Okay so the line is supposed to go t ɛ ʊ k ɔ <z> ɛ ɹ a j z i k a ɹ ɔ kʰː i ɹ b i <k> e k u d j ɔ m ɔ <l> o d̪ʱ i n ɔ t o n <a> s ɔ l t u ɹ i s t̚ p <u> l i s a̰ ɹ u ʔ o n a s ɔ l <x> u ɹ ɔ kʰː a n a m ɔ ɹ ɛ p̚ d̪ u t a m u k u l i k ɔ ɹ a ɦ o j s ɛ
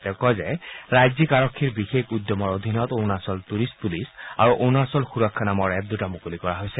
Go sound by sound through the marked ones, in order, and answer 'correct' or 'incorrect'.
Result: correct, incorrect: x, incorrect: ɹ, correct, correct, correct

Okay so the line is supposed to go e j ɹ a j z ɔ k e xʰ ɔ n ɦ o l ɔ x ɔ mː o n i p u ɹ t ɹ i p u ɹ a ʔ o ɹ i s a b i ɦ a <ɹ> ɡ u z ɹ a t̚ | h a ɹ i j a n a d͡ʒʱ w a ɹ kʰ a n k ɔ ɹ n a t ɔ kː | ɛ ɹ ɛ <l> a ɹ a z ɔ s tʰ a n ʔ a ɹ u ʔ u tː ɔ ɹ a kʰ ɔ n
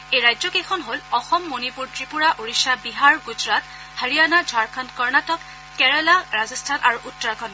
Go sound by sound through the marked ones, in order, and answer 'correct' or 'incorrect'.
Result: correct, correct

